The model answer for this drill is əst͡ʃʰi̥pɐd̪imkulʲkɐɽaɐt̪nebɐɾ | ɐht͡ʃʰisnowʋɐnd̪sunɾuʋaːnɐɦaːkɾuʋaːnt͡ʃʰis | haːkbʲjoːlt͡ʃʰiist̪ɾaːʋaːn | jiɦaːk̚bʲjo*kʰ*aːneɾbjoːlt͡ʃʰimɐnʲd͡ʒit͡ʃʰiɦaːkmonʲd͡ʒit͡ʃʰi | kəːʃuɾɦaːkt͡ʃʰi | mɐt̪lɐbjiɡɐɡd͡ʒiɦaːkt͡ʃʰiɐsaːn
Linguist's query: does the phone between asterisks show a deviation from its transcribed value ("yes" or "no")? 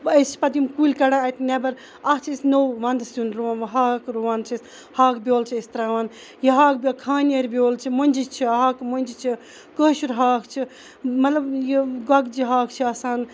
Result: no